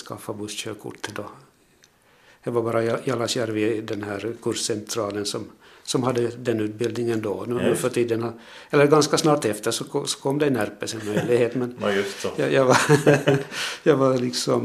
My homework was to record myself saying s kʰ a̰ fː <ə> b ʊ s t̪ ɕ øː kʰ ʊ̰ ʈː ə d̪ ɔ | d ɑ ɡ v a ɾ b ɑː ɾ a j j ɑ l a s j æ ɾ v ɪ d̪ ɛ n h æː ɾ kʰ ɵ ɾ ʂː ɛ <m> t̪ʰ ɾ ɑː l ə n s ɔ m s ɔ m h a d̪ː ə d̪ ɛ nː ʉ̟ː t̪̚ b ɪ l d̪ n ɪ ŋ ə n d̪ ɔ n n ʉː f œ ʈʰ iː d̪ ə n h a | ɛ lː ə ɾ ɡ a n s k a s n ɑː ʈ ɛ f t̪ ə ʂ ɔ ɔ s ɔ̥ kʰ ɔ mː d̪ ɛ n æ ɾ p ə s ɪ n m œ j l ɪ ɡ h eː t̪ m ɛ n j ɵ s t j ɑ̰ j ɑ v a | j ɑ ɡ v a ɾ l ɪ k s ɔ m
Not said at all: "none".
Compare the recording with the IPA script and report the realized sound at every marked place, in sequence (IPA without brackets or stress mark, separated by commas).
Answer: a, n